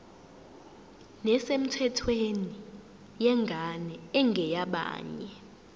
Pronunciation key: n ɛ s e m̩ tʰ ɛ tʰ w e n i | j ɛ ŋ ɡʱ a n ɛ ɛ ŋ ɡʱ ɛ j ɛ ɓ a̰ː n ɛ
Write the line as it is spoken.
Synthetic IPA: n ɛ s e m̩ tʰ ɛ tʰ w e n i | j ɛ ŋ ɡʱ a n ɛ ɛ ŋ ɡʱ ɛ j a ɓ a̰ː ɲ ɛ